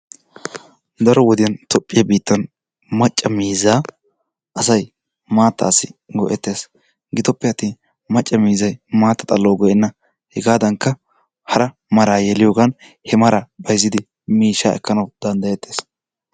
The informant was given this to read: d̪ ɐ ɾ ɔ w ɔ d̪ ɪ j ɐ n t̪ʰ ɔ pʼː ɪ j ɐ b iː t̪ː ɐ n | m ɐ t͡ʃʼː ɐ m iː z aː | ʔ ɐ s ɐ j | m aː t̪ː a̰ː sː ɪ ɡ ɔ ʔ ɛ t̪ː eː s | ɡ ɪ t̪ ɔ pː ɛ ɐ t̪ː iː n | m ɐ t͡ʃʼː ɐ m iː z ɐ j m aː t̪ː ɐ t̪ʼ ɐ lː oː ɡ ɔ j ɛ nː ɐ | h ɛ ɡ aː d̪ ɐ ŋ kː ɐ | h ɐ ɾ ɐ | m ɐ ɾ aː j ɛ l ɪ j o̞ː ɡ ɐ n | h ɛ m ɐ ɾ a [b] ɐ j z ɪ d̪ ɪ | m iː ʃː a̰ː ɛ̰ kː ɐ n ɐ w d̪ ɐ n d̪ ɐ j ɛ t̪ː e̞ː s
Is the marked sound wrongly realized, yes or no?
no